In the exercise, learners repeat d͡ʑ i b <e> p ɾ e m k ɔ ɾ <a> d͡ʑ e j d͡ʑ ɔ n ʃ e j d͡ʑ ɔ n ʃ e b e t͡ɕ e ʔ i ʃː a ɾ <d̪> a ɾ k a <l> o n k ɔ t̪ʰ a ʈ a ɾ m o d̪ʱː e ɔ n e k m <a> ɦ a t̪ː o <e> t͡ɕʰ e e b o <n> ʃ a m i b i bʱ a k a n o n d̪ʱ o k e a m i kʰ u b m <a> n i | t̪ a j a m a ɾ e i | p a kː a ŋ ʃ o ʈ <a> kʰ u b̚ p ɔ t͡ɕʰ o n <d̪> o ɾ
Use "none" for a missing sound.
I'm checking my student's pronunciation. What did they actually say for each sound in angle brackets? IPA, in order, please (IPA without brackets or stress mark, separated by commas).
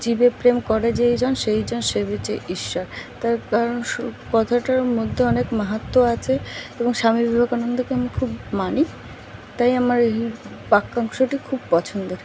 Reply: e, e, t̪, ɾ, a, a, ŋ, a, i, d̪